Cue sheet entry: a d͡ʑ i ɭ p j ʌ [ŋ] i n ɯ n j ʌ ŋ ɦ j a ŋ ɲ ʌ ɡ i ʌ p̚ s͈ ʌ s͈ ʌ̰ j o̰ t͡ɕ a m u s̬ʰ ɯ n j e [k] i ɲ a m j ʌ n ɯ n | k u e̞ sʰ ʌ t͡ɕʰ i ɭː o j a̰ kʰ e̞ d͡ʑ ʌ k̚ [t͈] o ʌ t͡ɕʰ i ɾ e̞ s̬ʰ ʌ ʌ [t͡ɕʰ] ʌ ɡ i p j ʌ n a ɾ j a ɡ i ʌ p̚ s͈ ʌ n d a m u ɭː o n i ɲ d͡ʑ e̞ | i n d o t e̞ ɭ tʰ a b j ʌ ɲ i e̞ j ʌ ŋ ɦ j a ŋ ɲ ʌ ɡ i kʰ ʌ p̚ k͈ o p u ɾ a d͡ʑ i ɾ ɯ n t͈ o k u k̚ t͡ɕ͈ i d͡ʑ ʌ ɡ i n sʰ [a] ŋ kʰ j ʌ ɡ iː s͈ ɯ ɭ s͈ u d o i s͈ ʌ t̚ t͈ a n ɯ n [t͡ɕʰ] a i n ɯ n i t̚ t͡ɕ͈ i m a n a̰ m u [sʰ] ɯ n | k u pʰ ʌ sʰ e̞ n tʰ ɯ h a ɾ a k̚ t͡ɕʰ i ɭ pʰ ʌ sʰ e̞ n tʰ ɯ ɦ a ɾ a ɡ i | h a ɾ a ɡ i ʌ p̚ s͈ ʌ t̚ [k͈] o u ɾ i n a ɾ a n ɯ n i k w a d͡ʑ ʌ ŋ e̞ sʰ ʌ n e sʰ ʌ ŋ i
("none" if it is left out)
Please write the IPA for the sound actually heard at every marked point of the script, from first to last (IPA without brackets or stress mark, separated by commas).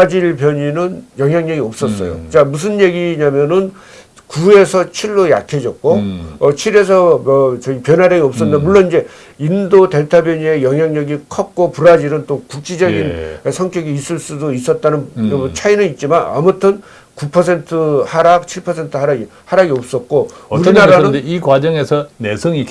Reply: ɲ, ɡ, k͈, t͡ɕ, ʌ, t͡ɕʰ, tʰ, k͈